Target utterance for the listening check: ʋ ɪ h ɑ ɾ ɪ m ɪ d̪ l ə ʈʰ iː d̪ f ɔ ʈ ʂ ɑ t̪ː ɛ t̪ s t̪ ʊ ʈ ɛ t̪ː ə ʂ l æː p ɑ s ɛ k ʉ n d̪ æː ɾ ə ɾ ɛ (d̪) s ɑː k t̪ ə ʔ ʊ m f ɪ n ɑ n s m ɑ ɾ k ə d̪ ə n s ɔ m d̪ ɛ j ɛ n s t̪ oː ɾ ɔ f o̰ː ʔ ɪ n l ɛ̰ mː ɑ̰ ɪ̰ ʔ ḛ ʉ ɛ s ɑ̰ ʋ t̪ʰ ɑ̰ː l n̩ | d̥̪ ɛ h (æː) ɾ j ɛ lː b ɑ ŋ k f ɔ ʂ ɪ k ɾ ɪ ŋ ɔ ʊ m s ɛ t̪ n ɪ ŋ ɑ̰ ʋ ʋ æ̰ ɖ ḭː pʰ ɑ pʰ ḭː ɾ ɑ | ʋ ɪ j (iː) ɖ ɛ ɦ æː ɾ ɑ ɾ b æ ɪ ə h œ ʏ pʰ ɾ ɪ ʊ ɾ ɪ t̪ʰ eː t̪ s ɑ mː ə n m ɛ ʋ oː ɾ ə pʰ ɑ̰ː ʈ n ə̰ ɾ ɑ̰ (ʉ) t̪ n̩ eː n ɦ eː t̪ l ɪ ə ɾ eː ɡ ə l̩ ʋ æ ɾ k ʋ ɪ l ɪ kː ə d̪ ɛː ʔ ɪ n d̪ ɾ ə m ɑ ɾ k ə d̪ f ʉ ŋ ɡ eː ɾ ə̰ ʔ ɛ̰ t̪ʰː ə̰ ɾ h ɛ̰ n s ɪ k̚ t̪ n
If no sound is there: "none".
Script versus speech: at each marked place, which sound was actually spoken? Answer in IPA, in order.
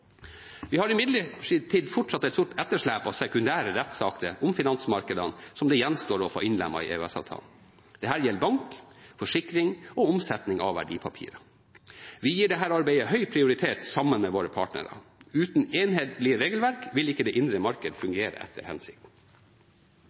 t̪, æː, iː, ʉː

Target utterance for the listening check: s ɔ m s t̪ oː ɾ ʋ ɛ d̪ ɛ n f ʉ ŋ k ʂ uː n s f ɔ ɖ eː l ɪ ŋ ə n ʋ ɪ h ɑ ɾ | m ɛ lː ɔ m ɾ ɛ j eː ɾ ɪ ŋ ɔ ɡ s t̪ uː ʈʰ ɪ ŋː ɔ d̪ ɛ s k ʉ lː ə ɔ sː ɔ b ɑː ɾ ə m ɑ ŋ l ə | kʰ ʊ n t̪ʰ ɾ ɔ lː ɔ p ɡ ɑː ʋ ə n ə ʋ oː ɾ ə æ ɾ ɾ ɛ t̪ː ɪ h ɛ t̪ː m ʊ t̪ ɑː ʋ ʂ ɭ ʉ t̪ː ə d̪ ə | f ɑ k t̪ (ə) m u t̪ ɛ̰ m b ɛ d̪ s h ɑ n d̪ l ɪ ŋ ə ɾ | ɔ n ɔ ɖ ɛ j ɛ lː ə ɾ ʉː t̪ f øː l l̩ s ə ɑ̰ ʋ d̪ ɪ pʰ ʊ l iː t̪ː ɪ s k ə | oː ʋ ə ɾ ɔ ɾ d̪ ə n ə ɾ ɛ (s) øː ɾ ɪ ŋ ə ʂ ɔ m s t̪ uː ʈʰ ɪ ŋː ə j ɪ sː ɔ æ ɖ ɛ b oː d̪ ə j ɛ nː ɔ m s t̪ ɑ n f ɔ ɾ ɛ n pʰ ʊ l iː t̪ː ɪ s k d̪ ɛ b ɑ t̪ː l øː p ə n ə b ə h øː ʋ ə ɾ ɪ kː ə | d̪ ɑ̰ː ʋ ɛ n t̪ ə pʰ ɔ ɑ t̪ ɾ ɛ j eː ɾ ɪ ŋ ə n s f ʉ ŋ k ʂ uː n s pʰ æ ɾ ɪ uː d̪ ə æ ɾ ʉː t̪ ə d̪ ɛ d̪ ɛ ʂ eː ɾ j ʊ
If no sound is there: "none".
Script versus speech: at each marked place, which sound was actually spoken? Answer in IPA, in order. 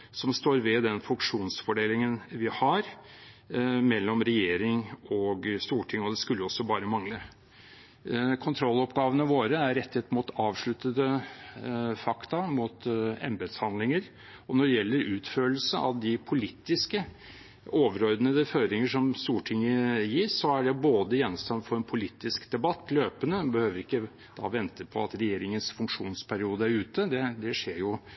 ɑ, f

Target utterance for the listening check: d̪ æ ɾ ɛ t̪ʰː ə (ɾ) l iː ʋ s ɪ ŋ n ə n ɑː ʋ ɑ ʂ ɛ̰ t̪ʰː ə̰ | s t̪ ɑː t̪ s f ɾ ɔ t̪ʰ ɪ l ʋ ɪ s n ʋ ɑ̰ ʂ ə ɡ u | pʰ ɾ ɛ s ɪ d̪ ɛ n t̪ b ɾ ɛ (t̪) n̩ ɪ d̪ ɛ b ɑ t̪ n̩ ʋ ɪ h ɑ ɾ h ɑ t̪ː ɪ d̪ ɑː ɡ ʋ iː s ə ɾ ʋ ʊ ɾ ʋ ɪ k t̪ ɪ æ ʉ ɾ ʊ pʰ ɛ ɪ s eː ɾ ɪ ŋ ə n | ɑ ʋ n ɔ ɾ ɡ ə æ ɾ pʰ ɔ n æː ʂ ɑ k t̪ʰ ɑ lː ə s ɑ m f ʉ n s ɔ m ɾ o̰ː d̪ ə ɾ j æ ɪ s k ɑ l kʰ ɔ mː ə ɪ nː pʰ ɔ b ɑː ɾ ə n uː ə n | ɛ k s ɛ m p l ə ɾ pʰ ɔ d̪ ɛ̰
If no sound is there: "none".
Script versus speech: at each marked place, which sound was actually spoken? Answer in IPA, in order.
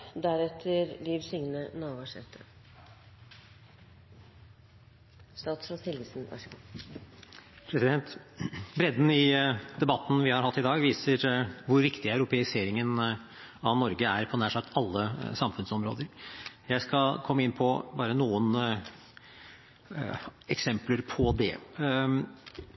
ɾ, d̪

